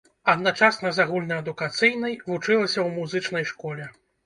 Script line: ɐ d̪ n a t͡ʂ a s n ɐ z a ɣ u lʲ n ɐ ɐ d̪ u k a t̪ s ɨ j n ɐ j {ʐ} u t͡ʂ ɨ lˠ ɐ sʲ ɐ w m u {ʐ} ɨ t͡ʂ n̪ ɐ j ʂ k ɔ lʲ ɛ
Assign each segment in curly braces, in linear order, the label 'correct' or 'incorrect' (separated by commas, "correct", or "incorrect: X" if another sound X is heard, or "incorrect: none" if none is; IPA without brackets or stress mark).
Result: incorrect: v, incorrect: z